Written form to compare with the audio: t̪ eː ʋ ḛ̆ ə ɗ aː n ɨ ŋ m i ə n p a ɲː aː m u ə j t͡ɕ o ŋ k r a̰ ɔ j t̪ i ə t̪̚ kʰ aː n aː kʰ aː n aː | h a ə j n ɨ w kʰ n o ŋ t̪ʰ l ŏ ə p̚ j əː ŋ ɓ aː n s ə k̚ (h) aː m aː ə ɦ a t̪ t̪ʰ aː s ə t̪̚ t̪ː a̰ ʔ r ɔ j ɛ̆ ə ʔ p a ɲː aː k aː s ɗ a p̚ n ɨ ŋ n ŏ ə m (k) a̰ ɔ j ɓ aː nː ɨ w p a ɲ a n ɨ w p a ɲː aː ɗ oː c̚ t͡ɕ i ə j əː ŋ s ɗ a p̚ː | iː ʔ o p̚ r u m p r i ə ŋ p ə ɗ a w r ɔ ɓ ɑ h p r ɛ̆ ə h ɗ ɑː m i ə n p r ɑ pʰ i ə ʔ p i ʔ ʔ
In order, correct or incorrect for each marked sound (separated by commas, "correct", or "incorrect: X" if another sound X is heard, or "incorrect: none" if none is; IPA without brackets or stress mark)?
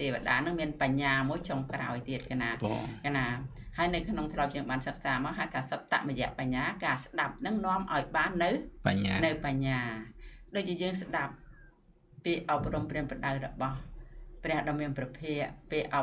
incorrect: s, incorrect: ʔ